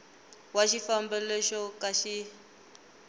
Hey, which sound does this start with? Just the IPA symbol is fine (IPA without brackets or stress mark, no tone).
w